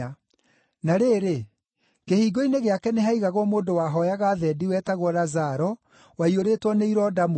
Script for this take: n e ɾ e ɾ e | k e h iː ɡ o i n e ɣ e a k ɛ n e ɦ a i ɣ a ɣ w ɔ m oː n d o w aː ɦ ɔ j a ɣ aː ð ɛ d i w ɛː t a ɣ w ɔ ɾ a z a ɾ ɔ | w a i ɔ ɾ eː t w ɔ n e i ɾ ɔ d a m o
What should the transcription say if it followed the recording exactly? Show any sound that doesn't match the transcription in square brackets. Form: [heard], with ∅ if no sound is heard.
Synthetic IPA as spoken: n [a] ɾ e ɾ e | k e h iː ɡ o i n e ɣ e a k ɛ n e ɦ a i ɣ a ɣ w ɔ m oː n d o w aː ɦ ɔ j a ɣ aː ð ɛ d i w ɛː t a ɣ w ɔ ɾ a z a ɾ ɔ | w a i [o] ɾ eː t w ɔ n e i ɾ ɔ d a m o